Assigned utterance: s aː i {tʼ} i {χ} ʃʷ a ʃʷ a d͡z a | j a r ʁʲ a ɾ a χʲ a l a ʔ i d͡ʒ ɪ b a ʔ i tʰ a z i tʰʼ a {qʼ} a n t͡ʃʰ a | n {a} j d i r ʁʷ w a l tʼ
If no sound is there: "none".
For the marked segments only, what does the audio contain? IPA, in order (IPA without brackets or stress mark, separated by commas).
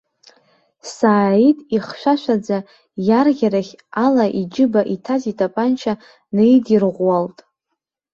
tʼ, χ, pʼ, e